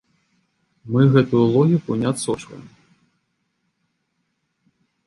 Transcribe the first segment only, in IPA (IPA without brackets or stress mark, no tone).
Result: m